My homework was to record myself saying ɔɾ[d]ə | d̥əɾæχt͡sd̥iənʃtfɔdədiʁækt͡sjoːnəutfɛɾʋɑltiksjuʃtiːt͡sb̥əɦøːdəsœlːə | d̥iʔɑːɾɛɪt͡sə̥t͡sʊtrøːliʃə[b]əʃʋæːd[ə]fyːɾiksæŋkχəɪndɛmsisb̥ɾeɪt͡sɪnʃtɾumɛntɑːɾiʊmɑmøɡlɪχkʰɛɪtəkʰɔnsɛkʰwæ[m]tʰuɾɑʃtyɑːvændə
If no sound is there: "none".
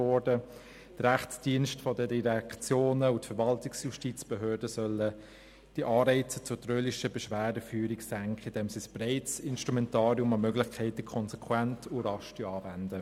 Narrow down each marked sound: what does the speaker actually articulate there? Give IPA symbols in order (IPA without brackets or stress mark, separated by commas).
d, b, ə, n